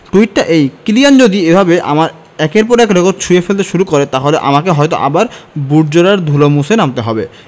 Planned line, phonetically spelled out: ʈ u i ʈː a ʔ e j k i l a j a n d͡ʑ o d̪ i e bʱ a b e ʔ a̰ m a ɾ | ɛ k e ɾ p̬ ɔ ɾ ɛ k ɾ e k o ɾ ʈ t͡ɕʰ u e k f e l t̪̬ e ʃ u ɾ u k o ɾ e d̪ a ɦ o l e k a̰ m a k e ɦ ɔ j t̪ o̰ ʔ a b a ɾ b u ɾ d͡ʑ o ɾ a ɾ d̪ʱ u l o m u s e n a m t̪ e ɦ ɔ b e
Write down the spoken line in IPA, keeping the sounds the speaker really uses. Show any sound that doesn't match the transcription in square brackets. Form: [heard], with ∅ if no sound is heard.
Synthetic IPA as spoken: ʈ u i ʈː a ʔ e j k i l [i] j a n d͡ʑ o d̪ i e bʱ a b e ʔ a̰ m a ɾ | ɛ k e ɾ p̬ ɔ ɾ ɛ k ɾ e k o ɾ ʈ t͡ɕʰ u e [∅] f e l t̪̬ e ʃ u ɾ u k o ɾ e [t̪] a ɦ o l e [ʔ] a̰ m a k e ɦ ɔ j t̪ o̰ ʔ a b a ɾ b u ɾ d͡ʑ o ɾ a ɾ d̪ʱ u l o m u s e n a m t̪ e ɦ ɔ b e